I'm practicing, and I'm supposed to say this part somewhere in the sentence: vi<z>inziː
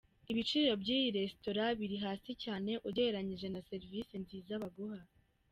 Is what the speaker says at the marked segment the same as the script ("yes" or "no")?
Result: no